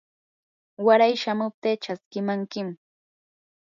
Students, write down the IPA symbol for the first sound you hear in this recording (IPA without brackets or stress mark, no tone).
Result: w